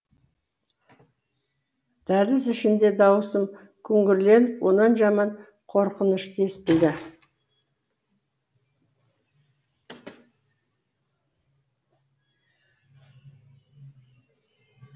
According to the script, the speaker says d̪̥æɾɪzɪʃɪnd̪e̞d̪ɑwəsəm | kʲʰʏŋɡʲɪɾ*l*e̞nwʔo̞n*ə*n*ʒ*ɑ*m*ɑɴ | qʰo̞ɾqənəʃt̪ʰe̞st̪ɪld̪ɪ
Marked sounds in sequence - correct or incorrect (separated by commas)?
correct, incorrect, correct, correct